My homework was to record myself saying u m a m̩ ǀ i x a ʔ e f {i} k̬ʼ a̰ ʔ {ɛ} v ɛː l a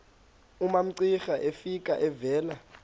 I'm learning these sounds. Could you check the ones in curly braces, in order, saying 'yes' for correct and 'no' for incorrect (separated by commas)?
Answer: yes, yes